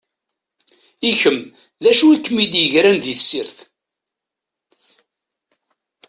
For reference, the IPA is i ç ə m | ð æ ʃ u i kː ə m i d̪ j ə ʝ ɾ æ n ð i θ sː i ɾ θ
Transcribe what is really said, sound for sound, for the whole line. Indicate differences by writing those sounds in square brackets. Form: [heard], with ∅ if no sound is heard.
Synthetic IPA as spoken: i ç ə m | ð æ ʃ u i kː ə m i d̪ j ə ʝ ɾ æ n ð i θ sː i ɾ θ